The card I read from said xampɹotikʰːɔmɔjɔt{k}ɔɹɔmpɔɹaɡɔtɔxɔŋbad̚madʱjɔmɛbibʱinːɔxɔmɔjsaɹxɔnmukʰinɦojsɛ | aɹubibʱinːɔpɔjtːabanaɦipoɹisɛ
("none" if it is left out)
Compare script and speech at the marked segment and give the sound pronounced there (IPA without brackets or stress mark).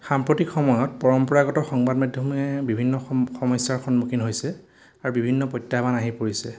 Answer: p